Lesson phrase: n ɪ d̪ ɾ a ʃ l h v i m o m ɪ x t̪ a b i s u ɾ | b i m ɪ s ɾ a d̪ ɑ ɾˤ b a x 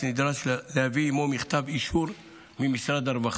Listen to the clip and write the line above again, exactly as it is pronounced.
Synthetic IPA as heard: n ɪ d̪ ɾ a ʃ l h v i m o m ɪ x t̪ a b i ʃ u ɾ | m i m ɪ s ɾ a d̪ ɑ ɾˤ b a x